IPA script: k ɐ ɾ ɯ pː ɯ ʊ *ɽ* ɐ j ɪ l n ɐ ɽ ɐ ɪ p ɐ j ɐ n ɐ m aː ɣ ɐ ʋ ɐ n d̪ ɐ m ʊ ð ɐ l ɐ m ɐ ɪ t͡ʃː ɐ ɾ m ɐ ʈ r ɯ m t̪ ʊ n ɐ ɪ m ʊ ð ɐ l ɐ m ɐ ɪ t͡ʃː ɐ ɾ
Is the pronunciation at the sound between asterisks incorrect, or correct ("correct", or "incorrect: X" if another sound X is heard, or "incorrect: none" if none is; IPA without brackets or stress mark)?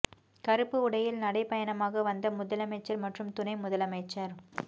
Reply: correct